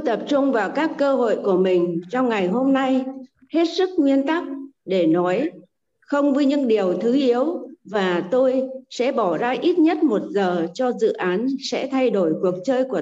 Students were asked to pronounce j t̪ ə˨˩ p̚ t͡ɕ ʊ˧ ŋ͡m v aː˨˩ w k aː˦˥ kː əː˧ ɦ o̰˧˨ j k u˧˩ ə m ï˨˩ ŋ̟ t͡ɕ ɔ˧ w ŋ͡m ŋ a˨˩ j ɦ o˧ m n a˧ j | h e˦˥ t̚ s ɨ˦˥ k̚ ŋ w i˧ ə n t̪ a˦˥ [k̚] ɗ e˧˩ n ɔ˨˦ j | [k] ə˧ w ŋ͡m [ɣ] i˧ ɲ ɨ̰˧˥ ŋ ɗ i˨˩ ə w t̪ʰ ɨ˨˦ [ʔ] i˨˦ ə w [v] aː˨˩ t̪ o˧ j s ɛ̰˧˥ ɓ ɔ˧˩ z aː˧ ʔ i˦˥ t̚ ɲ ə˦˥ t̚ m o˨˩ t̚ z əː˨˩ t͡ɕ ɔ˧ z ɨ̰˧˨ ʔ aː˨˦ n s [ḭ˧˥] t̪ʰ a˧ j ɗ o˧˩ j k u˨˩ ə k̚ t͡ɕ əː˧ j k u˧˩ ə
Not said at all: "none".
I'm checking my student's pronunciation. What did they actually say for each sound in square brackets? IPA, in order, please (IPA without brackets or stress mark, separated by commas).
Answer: k̚, x, v, ʔ, v, ɛ̰˧˥